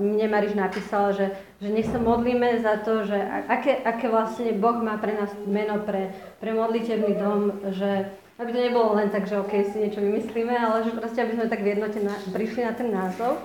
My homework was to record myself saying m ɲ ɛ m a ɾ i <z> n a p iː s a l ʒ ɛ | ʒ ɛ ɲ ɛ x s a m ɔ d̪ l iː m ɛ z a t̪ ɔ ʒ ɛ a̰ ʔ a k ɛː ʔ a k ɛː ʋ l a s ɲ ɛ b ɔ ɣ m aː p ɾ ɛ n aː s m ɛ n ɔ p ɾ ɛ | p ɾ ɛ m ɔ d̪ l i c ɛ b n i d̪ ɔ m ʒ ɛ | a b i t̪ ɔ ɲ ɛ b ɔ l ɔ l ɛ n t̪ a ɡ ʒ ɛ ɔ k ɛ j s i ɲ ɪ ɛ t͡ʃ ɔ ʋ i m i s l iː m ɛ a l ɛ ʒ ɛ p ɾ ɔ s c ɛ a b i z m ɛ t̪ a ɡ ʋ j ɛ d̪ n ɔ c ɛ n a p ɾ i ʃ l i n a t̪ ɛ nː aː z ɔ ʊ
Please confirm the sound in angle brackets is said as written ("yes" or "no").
no